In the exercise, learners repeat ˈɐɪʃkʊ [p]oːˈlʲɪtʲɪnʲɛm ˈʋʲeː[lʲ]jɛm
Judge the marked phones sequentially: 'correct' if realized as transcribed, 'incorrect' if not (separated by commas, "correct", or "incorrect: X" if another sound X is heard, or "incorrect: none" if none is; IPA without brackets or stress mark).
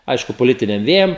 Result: correct, incorrect: none